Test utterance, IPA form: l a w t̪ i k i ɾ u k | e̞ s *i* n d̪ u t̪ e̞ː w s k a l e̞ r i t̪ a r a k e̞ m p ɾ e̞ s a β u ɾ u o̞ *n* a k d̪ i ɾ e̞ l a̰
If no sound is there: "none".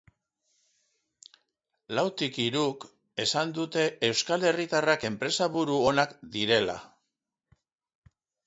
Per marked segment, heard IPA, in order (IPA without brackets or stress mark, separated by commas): a, n